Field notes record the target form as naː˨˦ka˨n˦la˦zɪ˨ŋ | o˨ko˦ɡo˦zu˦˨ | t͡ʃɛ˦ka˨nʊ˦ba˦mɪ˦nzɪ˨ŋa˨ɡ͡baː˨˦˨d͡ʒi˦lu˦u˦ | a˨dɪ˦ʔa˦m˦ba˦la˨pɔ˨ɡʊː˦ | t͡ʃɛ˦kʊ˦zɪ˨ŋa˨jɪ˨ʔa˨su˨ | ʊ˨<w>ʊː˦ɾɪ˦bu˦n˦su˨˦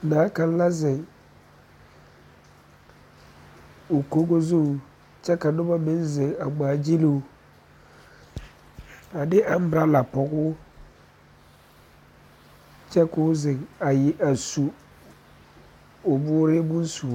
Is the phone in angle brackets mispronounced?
yes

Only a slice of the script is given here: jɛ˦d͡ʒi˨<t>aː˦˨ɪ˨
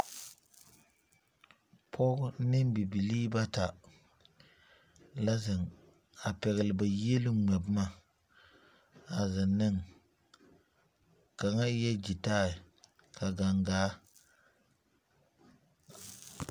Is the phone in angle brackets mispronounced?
no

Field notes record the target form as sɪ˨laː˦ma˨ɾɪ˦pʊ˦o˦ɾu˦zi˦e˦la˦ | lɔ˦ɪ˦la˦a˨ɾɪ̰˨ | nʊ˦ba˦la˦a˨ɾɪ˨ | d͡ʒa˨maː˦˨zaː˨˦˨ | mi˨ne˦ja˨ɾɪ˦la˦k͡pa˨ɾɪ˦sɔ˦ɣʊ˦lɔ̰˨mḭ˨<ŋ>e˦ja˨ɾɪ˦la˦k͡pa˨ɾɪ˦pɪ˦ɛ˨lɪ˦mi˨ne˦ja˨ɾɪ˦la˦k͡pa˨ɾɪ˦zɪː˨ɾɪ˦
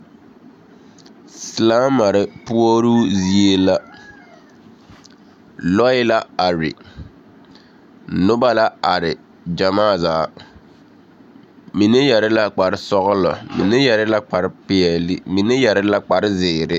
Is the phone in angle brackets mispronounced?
yes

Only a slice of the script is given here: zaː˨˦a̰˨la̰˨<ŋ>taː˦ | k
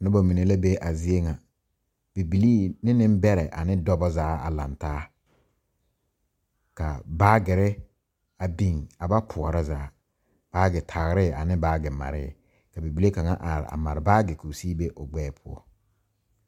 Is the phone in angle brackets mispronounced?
yes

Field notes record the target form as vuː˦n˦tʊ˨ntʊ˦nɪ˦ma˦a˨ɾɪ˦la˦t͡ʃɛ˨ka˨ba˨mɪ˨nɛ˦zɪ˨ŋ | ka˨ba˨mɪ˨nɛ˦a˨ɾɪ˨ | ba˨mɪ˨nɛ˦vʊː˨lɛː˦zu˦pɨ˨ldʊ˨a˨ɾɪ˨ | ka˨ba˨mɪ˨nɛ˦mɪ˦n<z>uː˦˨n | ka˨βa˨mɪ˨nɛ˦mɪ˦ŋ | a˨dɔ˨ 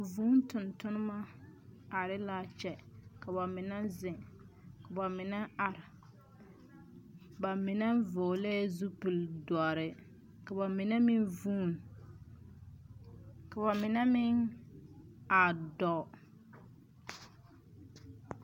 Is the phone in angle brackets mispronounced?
yes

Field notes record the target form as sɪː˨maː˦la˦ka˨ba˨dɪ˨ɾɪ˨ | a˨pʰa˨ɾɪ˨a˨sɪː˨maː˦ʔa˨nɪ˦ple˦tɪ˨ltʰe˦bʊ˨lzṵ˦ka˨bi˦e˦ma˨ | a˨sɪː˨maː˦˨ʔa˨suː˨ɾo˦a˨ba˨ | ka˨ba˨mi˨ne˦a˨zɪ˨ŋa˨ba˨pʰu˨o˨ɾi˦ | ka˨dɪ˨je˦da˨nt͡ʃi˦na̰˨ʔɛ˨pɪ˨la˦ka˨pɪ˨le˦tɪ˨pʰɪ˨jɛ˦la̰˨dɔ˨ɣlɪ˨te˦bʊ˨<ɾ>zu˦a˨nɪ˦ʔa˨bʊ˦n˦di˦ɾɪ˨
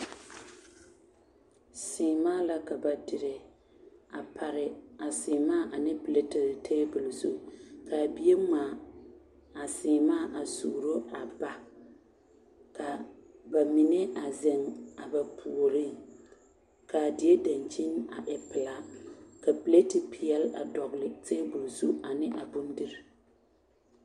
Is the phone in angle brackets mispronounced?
yes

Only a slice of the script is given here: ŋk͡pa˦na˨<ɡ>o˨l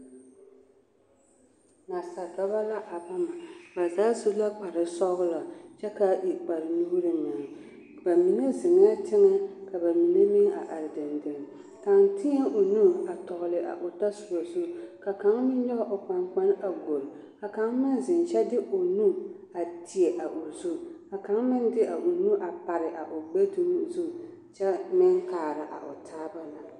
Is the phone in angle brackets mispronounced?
no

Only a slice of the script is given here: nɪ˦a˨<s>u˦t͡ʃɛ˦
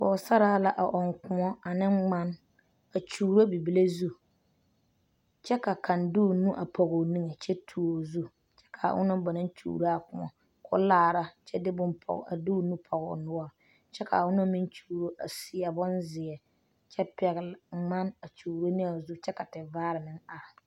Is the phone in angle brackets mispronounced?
yes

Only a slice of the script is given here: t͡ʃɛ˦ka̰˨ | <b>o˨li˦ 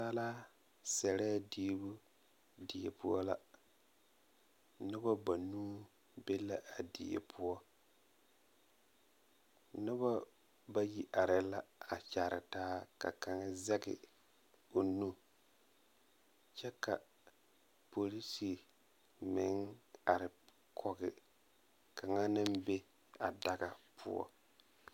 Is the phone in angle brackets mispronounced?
yes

